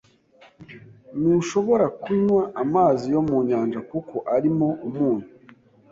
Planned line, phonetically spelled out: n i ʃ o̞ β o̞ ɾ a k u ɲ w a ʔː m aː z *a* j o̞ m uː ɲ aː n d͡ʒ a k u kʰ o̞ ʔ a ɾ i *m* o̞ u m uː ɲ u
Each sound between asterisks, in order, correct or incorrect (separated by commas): incorrect, correct